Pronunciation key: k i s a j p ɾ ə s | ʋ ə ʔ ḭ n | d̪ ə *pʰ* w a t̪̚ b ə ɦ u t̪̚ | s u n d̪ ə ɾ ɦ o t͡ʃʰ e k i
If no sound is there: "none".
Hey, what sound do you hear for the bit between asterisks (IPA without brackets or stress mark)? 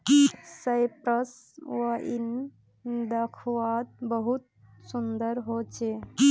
kʰ